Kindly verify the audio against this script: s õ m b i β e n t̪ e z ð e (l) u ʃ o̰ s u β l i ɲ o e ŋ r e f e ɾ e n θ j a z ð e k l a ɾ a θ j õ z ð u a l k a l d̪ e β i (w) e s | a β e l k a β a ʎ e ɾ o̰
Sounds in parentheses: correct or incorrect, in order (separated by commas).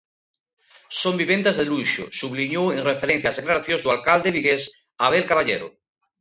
correct, incorrect